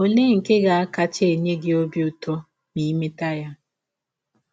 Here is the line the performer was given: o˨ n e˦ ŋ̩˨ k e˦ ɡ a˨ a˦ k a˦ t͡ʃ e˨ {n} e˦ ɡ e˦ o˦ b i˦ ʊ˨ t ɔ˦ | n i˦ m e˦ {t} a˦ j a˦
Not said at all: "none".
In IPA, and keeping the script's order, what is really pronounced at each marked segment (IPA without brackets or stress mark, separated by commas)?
ɲ, t